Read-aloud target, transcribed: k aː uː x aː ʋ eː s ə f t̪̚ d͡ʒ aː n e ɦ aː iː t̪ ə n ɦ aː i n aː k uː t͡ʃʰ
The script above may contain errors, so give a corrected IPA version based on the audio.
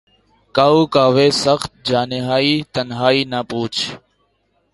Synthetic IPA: k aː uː k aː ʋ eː s ə x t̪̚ d͡ʒ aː n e ɦ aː iː t̪ ə n ɦ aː iː n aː p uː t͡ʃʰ